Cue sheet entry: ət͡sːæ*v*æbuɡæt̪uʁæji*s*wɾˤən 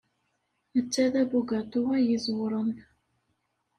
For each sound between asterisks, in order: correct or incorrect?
incorrect: ð, incorrect: z

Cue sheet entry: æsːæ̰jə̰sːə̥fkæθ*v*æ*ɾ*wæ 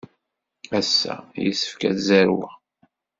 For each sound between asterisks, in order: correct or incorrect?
incorrect: z, correct

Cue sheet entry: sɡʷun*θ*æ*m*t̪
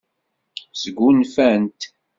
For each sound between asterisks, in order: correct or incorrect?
incorrect: f, incorrect: n

